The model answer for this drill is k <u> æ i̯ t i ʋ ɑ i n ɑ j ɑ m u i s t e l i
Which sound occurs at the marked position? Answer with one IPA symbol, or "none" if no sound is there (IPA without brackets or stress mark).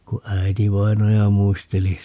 u